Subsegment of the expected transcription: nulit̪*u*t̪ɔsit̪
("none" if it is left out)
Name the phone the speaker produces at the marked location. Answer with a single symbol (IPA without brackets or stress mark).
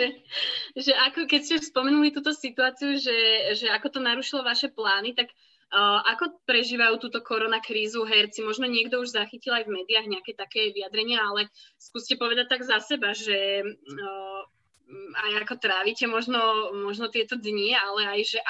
uː